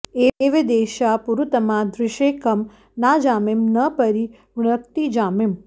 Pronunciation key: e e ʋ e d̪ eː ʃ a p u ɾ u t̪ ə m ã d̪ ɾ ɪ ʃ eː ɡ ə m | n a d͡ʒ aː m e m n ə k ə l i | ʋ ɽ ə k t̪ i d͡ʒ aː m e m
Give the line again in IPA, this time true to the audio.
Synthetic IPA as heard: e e ʋ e d̪ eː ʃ a p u ɾ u t̪ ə m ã d̪ ɾ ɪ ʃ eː k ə m | n a d͡ʒ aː m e m n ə p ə ɾ i | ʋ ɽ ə k t̪ i d͡ʒ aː m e m